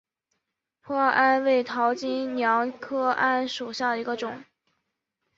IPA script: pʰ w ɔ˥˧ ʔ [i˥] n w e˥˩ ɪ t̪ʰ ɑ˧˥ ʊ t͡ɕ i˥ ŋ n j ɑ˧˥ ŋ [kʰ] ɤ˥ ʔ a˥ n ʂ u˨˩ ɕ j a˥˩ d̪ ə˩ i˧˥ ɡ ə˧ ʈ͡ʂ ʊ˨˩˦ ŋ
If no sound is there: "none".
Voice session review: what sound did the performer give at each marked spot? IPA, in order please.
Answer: a˥, kʰ

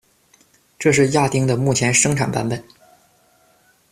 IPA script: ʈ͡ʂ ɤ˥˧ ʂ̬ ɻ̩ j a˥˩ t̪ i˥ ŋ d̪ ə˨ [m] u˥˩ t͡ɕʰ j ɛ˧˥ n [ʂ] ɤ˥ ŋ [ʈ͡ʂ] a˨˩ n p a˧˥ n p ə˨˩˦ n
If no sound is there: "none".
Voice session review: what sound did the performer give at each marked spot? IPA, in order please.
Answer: m, ʂ, ʈ͡ʂʰ

